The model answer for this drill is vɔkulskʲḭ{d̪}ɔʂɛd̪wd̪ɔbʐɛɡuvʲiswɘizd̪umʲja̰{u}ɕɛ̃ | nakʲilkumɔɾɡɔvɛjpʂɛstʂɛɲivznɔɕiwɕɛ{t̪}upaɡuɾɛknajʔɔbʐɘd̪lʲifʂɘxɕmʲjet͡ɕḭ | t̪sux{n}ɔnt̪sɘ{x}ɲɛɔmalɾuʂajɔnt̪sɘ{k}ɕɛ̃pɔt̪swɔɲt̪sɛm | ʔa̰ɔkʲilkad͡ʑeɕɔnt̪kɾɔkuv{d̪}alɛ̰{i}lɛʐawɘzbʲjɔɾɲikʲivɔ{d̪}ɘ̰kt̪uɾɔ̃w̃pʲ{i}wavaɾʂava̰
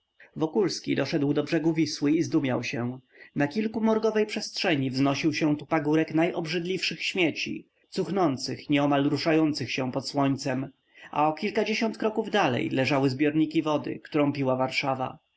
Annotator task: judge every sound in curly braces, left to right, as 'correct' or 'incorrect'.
correct, incorrect: w, correct, correct, correct, incorrect: x, correct, incorrect: j, correct, correct

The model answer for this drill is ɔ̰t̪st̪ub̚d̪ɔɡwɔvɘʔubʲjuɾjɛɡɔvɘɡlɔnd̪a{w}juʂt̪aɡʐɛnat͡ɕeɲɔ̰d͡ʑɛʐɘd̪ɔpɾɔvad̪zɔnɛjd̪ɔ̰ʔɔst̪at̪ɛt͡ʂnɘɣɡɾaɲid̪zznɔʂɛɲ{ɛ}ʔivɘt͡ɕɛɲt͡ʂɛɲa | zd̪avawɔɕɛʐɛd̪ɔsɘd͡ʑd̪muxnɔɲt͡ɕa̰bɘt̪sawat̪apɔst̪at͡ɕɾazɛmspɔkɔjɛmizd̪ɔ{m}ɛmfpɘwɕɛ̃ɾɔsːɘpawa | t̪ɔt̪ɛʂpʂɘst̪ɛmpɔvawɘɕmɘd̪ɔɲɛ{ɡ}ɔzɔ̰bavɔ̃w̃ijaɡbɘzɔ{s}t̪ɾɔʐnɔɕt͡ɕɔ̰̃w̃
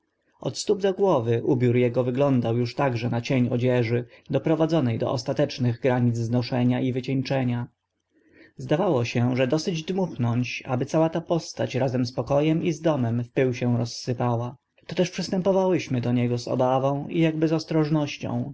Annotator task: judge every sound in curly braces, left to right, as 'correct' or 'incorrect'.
correct, incorrect: a, correct, correct, correct

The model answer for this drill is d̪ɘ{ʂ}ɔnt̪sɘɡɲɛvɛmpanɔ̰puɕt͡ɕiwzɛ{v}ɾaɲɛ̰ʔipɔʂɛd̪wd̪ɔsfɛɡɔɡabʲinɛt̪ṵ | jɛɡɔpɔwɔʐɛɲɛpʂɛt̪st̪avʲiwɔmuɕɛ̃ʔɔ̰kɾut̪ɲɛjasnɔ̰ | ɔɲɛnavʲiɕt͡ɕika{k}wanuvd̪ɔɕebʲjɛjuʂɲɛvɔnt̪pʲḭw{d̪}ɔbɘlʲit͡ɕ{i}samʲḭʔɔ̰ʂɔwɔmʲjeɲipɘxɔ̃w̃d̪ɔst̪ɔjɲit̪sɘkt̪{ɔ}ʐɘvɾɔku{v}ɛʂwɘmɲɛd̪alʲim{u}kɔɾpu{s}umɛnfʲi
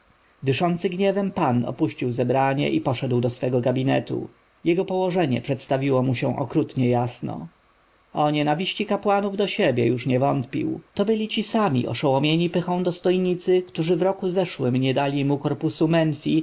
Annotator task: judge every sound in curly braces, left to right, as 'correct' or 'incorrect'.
correct, incorrect: b, incorrect: p, incorrect: t̪, correct, incorrect: u, incorrect: z, correct, correct

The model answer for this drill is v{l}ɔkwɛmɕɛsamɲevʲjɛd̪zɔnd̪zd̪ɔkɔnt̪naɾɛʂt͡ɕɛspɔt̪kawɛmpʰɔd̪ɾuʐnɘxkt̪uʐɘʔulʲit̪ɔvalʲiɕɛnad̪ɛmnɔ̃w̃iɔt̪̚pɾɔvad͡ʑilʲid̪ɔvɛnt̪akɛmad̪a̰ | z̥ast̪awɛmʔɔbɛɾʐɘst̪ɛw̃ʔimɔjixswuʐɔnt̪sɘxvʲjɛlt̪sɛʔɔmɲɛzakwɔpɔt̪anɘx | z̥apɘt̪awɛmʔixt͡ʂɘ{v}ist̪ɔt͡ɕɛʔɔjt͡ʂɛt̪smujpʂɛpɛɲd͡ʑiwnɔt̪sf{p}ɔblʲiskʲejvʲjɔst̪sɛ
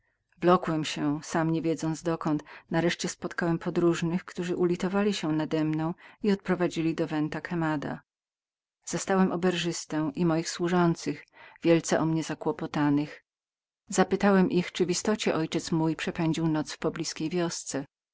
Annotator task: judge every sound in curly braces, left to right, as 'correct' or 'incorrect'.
correct, correct, correct

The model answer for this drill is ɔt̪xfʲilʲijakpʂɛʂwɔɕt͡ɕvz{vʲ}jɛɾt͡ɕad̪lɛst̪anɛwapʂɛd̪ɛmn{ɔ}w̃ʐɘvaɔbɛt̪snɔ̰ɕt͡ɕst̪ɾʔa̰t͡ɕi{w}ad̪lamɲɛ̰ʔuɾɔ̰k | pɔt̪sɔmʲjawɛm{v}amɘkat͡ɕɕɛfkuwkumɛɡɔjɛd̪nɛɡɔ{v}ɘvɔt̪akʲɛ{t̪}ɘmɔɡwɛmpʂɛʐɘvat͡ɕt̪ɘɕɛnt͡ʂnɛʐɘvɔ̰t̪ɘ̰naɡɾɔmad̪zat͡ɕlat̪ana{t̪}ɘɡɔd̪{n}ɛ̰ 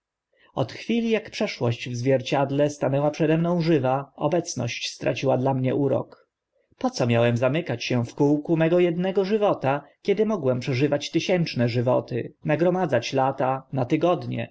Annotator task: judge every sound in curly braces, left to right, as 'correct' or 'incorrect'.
correct, incorrect: ɔ̃, correct, incorrect: z, incorrect: ʐ, incorrect: d̪, correct, incorrect: ɲ

